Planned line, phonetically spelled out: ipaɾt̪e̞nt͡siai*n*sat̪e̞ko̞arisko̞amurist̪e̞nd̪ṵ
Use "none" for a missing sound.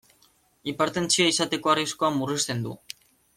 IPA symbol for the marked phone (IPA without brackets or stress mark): none